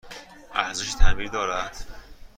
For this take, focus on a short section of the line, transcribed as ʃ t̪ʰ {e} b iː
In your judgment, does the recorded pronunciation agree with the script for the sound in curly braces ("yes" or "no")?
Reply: no